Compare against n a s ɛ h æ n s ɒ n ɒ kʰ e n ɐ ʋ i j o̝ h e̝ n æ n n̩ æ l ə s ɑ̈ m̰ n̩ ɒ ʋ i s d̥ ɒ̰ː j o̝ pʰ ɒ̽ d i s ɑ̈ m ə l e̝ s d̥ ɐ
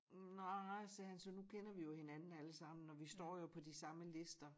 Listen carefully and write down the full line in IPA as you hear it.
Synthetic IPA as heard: n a s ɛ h æ n s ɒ n u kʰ e n ɐ ʋ i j o̝ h e̝ n æ n n̩ æ l ə s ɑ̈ m̰ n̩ ɒ ʋ i s d̥ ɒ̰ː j o̝ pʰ ɒ̽ d i s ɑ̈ m ə l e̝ s d̥ ɐ